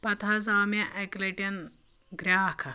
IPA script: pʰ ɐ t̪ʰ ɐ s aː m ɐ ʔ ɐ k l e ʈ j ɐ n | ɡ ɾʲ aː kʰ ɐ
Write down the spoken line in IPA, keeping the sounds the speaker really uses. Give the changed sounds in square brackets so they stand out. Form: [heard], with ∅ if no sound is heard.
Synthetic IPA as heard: [p] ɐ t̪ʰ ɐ [z] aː m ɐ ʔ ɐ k l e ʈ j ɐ n | ɡ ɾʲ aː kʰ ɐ

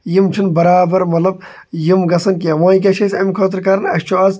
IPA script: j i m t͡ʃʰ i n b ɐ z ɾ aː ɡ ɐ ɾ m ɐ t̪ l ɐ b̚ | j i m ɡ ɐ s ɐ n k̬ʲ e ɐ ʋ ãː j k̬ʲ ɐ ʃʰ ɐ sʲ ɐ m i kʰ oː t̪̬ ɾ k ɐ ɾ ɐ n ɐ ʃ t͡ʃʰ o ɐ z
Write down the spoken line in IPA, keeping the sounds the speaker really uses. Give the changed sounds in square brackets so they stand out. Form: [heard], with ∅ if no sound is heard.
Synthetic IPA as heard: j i m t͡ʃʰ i n b ɐ [∅] ɾ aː [b] ɐ ɾ m ɐ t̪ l ɐ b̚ | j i m ɡ ɐ s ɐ n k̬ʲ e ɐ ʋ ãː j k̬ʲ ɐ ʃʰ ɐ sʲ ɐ m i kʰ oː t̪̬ ɾ k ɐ ɾ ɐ n ɐ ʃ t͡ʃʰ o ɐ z

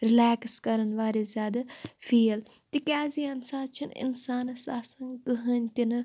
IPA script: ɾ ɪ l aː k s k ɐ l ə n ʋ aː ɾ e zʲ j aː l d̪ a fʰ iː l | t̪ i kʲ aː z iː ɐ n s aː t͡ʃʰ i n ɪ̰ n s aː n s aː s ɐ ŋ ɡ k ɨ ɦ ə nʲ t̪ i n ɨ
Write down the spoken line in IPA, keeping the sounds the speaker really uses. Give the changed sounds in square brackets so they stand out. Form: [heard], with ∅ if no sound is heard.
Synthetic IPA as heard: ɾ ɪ l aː k s k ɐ [ɾ] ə n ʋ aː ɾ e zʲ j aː [∅] d̪ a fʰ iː l | t̪ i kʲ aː z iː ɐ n s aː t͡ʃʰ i n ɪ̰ n s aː n s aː s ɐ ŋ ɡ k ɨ ɦ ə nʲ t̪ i n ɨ

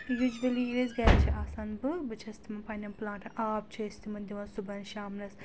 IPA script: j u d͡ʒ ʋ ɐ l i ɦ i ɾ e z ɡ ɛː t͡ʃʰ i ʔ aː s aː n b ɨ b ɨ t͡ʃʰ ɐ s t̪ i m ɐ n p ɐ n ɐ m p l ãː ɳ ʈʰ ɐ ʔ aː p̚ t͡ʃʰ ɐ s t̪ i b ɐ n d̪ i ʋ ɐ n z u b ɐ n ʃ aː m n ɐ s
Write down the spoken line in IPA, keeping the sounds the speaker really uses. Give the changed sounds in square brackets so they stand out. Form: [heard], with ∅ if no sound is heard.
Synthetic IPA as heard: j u d͡ʒ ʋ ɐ l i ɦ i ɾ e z ɡ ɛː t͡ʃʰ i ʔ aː s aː n b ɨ b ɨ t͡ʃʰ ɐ s t̪ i m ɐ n p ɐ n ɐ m p l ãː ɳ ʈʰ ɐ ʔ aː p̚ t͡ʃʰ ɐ s t̪ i [m] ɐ n d̪ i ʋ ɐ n [s] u b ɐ n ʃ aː m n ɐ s

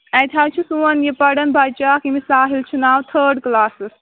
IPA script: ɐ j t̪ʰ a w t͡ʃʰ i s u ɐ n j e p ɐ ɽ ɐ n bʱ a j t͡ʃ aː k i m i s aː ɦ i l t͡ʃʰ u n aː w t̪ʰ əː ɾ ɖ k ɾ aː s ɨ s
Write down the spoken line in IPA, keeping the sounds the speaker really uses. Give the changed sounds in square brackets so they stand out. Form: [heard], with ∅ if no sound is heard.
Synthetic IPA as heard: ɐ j t̪ʰ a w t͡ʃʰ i s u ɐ n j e p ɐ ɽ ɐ n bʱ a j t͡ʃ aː k i m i s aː ɦ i l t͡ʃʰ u n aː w t̪ʰ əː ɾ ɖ k [l] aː s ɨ s

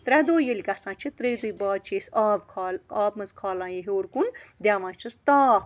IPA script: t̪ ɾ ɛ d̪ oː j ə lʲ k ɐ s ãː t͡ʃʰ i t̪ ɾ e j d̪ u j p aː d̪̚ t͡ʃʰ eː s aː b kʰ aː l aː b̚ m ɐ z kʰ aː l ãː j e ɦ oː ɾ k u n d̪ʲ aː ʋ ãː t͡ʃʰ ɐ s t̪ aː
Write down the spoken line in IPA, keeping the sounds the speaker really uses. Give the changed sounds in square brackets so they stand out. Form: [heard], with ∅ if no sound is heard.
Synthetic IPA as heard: t̪ ɾ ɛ d̪ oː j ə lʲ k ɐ s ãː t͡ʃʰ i t̪ ɾ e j d̪ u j [b] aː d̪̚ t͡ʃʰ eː s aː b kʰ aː l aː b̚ m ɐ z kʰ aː l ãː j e ɦ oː ɾ k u n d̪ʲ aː ʋ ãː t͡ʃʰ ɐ s t̪ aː

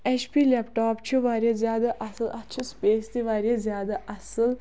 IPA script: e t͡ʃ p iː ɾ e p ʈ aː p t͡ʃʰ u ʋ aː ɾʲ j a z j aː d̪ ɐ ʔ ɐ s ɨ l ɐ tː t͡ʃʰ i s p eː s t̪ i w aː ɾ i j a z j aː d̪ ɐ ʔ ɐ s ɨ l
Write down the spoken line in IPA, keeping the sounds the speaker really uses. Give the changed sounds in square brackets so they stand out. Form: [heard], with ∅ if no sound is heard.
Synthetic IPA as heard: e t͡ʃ p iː [l] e p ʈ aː p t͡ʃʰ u ʋ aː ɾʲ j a z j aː d̪ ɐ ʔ ɐ s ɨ l ɐ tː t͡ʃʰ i s p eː s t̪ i [ʋ] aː ɾ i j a z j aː d̪ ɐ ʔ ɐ s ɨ l

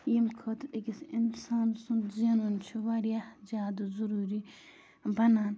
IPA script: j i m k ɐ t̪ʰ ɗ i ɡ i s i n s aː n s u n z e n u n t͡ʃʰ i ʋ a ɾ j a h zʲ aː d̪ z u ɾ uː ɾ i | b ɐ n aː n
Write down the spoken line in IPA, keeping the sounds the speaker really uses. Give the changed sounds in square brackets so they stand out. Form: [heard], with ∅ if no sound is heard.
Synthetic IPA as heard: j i m [kʰ] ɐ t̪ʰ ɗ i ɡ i s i n s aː n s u n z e n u n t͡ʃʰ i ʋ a ɾ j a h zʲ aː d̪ z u ɾ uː ɾ i | b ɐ n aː n

